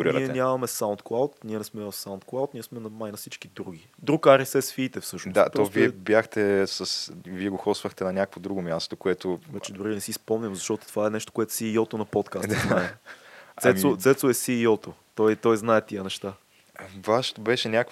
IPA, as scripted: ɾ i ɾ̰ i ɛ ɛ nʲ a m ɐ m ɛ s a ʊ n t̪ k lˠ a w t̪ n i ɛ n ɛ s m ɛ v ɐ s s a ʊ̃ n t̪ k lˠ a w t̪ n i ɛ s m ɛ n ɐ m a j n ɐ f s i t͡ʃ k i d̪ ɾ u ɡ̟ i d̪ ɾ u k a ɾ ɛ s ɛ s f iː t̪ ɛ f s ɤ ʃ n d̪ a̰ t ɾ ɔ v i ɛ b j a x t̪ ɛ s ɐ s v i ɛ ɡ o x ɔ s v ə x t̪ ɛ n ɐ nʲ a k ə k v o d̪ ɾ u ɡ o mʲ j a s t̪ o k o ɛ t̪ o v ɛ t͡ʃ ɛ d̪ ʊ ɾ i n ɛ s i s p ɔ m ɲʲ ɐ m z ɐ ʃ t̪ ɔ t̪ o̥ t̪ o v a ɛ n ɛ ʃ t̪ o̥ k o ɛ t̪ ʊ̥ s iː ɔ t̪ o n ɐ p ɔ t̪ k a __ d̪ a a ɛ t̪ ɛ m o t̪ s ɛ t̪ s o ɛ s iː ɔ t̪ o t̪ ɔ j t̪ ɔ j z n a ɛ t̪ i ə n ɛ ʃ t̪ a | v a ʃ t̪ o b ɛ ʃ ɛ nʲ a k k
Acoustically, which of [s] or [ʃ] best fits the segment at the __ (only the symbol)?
s